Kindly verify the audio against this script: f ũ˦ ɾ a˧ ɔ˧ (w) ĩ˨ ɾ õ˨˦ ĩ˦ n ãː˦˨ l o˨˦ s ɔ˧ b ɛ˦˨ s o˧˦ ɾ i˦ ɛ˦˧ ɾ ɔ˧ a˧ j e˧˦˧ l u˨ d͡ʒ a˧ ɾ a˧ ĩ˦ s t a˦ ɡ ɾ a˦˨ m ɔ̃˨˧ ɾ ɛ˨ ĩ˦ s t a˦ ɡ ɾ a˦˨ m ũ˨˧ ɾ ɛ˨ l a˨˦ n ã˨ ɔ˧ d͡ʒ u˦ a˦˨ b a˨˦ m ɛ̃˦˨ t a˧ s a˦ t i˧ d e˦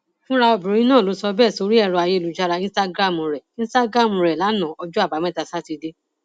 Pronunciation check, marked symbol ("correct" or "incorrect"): incorrect